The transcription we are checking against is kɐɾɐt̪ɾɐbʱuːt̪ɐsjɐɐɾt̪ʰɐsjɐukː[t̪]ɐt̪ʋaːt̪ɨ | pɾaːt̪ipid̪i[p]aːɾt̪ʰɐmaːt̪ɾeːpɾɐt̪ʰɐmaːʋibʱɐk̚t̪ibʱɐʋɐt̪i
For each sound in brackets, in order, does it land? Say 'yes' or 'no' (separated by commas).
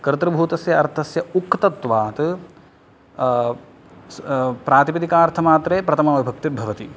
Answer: yes, no